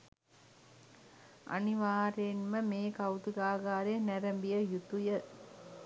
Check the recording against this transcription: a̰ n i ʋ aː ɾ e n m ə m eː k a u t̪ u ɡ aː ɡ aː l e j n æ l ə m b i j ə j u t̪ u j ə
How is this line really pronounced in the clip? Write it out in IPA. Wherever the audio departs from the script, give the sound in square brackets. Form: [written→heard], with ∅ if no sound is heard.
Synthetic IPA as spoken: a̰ n i ʋ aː ɾ e n m ə m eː k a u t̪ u ɡ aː ɡ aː [l→ɾ] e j n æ [l→ɾ] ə m b i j ə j u t̪ u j ə